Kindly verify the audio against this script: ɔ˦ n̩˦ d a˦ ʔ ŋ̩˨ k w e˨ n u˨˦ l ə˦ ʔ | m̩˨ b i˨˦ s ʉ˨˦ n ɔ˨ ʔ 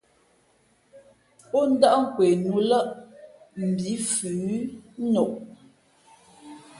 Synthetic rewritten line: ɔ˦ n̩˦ d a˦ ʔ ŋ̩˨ k w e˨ n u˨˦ l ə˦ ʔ | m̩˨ b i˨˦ f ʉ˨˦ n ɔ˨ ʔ